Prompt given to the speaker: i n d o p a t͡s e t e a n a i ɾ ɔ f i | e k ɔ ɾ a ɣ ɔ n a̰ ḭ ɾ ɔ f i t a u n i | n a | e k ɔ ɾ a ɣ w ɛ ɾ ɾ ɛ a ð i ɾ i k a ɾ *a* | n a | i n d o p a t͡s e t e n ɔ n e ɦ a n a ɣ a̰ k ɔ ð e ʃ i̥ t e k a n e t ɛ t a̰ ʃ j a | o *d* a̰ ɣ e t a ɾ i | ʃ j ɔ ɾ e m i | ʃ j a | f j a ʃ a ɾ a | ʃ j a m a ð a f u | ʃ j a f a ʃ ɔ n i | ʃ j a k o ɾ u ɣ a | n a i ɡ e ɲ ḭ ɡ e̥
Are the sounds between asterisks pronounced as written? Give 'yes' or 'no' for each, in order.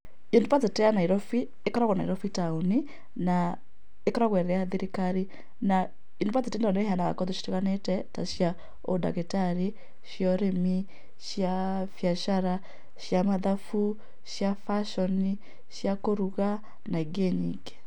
no, yes

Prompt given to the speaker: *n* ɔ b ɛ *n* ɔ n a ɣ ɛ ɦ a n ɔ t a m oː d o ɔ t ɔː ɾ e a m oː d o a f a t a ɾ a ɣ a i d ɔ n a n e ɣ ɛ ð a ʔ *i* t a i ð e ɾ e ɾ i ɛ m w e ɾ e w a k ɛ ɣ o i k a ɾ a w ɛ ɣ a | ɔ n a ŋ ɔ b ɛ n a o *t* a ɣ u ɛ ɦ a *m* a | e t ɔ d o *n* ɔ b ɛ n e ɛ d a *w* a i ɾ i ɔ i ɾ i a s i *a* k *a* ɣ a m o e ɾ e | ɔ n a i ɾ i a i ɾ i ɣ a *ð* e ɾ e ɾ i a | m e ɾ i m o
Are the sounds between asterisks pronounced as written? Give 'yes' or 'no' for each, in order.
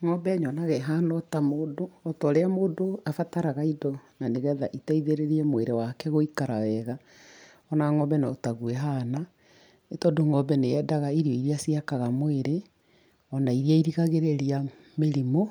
no, no, yes, yes, no, no, no, yes, yes, no

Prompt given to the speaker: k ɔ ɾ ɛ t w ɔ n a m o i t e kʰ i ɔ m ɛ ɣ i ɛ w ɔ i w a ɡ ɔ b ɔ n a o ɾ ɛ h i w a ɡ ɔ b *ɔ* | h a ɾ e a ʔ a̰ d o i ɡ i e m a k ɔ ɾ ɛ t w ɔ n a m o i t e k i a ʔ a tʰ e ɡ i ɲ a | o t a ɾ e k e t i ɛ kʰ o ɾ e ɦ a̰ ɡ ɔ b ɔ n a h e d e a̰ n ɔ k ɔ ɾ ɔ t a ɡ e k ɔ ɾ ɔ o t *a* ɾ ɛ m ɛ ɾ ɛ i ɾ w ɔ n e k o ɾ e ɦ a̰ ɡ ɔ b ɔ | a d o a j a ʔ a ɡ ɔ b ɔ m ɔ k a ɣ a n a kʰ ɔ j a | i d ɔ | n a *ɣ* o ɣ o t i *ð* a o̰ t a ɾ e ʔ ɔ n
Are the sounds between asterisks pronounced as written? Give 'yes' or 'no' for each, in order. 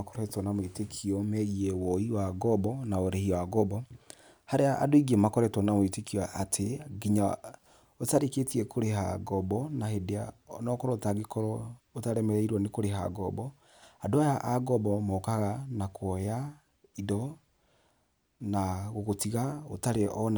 yes, yes, yes, no

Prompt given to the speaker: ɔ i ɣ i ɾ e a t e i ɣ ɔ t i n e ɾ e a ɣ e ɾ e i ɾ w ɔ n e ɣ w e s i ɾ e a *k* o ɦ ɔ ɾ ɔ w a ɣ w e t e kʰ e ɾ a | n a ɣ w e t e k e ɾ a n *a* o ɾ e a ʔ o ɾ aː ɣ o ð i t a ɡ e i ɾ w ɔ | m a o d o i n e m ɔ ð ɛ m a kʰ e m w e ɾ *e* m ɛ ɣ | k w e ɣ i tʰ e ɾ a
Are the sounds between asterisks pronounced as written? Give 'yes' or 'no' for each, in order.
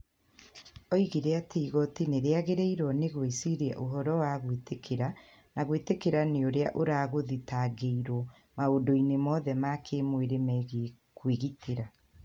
no, no, yes

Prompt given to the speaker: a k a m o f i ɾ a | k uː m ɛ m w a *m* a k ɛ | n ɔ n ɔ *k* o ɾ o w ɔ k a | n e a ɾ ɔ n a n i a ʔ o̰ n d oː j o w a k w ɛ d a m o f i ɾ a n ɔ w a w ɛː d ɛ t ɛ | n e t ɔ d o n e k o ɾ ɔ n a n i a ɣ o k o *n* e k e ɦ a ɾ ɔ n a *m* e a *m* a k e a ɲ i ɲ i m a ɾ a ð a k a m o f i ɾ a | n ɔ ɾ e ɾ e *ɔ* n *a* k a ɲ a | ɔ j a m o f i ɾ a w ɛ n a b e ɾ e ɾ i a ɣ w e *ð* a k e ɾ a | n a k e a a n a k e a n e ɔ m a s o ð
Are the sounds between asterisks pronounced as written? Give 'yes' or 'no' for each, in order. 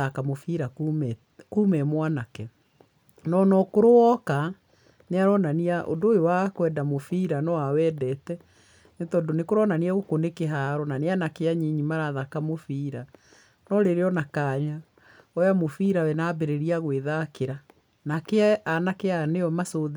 no, yes, yes, no, no, yes, yes, yes

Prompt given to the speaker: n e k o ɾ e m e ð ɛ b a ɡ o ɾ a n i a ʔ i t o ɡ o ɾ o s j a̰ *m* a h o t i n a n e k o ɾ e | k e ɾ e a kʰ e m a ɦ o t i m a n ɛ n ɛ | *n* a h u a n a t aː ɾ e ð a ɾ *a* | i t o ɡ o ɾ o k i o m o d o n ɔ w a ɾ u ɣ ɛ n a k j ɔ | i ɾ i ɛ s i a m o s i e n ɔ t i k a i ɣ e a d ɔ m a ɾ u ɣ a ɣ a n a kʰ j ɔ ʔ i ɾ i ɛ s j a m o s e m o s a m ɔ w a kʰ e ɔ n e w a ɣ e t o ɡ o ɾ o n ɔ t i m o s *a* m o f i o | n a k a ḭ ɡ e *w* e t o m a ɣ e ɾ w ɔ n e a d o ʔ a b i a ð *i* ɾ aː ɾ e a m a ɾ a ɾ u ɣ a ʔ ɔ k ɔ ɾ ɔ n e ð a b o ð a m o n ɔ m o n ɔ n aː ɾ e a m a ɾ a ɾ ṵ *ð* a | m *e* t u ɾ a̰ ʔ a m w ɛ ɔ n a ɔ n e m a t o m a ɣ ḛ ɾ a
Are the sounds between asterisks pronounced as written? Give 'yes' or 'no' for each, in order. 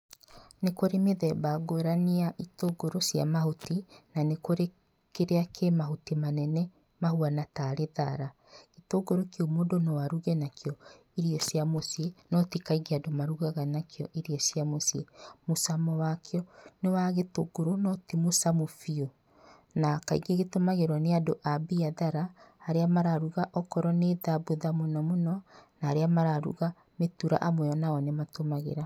yes, no, yes, yes, no, no, no, yes

